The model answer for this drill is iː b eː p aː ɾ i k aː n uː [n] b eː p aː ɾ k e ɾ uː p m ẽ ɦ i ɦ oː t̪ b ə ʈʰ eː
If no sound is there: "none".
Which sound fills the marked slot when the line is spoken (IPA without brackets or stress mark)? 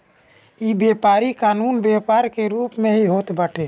n